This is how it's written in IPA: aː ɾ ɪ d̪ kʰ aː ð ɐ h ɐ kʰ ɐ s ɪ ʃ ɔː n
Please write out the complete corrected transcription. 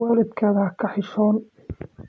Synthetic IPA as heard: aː l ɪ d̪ kʰ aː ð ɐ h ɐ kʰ ɐ ħ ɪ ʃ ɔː n